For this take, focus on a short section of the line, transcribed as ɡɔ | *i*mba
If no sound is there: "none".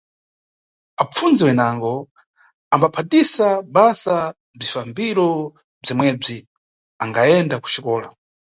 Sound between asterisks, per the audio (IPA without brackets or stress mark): a